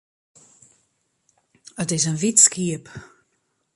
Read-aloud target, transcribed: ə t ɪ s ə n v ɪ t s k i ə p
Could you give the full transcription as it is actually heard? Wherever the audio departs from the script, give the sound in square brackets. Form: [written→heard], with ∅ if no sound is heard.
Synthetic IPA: ə t ɪ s ə n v [ɪ→i] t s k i ə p